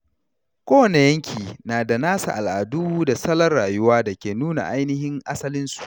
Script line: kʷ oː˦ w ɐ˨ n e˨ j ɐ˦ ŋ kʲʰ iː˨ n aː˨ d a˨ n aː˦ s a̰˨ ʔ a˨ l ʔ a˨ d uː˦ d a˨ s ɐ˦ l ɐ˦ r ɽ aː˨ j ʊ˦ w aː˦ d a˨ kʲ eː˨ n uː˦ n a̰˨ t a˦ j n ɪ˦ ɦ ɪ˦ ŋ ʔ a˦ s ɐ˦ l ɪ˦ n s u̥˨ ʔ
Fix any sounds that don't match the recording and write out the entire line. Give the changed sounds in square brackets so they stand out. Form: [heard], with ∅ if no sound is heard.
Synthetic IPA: kʷ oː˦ w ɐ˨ n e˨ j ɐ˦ ŋ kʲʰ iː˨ n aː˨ d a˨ n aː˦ s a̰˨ ʔ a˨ l ʔ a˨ d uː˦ d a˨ s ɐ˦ l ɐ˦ r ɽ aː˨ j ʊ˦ w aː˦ d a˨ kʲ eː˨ n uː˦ n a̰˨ [ʔ] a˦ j n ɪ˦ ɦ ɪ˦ ŋ ʔ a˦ s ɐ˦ l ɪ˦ n s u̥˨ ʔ

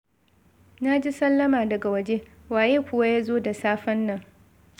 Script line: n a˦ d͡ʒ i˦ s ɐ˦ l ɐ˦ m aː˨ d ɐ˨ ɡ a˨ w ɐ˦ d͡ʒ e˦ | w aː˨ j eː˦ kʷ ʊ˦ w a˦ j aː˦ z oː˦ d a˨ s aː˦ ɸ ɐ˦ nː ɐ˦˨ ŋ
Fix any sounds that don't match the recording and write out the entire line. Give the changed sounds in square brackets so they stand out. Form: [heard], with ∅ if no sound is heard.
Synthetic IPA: n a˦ d͡ʒ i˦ s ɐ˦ [lː] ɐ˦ m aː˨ d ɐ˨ ɡ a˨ w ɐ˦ d͡ʒ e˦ | w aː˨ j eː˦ kʷ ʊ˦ w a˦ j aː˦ z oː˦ d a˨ s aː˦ ɸ ɐ˦ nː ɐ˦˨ ŋ

